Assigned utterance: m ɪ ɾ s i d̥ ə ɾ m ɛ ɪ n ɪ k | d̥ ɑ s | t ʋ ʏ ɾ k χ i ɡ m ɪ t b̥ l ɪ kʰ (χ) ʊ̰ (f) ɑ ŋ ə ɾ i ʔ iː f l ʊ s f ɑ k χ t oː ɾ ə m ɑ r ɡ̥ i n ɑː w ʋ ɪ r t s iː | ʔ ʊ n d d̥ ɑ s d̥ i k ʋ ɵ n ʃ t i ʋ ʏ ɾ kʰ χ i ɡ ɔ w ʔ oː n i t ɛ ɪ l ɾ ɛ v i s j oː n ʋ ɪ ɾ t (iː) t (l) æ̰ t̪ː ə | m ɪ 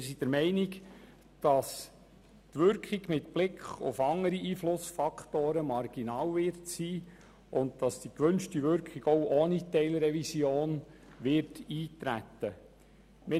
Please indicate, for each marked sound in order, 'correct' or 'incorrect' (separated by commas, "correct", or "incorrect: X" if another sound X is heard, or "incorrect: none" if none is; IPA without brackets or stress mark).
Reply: correct, correct, correct, incorrect: ɾ